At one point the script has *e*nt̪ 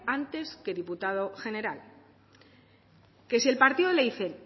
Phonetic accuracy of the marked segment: incorrect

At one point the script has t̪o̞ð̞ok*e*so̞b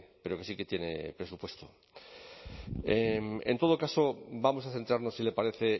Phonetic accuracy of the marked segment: incorrect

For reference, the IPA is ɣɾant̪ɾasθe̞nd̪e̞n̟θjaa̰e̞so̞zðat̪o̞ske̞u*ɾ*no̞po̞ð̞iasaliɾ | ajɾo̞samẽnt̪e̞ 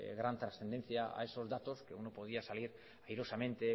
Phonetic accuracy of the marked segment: incorrect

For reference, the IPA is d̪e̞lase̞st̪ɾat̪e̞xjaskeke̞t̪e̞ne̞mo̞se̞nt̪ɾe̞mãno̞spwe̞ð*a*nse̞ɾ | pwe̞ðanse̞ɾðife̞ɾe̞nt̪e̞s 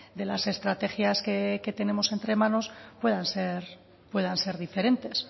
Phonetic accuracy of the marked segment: correct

